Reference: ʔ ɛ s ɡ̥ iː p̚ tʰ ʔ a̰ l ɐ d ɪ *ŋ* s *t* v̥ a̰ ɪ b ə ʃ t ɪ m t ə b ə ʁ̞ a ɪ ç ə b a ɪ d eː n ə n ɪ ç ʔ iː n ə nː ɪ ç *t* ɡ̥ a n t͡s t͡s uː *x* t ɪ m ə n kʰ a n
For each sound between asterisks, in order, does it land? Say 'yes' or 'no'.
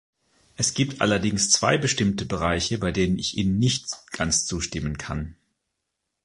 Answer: yes, no, yes, no

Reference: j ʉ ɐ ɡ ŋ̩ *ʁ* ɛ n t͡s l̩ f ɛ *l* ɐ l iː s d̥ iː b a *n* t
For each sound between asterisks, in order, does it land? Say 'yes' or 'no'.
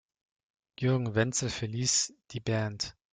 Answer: no, no, yes

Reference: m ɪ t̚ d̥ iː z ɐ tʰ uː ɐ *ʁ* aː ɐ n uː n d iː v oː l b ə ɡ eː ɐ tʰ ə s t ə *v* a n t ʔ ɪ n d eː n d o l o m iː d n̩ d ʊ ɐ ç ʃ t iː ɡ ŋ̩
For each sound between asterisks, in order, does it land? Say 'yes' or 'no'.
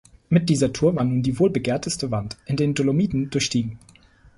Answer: no, yes

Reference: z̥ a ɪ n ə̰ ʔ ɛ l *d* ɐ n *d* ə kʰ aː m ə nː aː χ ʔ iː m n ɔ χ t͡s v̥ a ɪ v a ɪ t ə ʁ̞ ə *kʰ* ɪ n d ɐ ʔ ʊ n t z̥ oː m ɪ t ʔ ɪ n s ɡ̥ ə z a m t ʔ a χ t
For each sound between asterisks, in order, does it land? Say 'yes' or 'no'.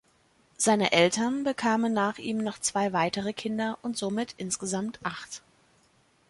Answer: no, no, yes

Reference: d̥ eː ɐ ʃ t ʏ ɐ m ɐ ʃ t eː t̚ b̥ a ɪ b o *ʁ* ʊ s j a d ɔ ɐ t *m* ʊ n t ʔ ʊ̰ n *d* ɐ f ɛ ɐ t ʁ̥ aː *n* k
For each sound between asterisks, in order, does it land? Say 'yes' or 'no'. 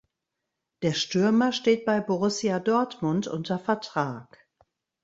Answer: yes, yes, no, no

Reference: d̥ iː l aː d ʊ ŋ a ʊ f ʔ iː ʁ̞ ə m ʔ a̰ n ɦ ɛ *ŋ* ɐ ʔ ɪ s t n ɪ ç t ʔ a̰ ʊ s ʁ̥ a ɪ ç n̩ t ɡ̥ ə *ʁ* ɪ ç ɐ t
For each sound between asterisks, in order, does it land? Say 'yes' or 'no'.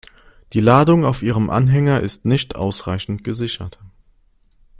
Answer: yes, no

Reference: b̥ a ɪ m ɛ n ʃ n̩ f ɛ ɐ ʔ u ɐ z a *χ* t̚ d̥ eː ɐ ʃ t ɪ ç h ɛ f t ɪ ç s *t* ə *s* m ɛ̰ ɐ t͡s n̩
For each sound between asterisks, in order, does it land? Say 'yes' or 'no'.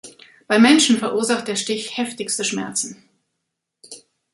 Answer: yes, yes, no

